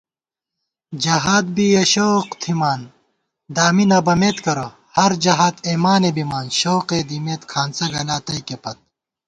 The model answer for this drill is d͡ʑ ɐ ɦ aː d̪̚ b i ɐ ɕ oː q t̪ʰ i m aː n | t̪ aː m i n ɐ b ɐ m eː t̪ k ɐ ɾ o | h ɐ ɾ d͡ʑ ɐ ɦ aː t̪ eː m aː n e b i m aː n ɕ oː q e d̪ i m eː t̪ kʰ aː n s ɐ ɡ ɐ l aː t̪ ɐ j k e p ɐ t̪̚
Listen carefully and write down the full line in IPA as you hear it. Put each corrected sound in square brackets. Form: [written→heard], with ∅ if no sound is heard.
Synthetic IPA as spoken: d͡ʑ ɐ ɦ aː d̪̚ b i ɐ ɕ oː q t̪ʰ i m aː n | [t̪→d̪] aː m i n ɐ b ɐ m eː t̪ k ɐ ɾ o | h ɐ ɾ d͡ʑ ɐ ɦ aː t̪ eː m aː n e b i m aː n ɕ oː q e d̪ i m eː t̪ kʰ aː n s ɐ ɡ ɐ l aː t̪ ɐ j k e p ɐ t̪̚